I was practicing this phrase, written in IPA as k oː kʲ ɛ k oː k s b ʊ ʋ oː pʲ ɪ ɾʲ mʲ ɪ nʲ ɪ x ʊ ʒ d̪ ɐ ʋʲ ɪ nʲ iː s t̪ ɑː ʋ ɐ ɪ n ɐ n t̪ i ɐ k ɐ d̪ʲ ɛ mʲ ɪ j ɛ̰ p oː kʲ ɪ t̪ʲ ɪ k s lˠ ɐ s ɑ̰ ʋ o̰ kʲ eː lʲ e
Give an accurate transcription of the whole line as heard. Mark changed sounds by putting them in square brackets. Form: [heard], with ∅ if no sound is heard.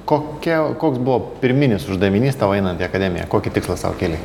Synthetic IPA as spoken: k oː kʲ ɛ k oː k s b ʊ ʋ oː pʲ ɪ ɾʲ mʲ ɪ nʲ ɪ [s] ʊ ʒ d̪ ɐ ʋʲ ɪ nʲ iː s t̪ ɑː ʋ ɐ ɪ n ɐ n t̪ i ɐ k ɐ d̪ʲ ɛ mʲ ɪ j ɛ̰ [k] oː kʲ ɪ t̪ʲ ɪ k s lˠ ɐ s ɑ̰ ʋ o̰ kʲ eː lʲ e